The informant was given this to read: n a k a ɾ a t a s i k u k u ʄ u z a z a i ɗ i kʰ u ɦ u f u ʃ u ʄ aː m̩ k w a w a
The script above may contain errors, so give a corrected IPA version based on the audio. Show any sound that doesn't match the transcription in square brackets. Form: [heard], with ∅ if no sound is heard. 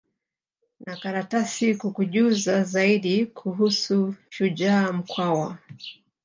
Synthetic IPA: n a k a ɾ a t a s i k u k u ʄ u z a z a i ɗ i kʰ u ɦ u [s] u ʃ u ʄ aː m̩ k w a w a